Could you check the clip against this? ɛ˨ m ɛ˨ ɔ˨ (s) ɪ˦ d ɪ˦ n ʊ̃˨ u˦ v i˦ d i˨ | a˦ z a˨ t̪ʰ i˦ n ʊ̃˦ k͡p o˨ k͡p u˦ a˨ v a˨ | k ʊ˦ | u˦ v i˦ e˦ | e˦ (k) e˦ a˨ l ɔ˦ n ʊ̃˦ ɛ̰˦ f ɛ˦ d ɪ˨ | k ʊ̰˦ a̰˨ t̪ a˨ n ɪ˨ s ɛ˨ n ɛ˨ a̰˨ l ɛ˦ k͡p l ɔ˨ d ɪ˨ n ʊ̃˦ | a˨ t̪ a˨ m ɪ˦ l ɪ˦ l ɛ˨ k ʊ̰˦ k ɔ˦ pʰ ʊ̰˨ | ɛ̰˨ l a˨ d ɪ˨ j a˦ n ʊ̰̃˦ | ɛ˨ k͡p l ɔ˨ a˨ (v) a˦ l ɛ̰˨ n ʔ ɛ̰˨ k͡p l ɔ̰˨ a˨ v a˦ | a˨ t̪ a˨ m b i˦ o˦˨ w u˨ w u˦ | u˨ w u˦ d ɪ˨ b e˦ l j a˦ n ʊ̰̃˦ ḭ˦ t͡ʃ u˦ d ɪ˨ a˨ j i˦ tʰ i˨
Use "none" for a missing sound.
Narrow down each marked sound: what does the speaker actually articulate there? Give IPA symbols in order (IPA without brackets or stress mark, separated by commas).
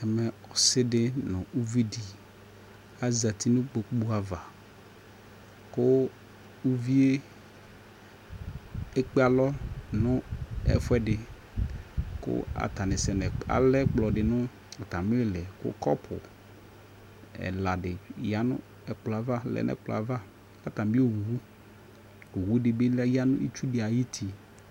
s, k͡p, v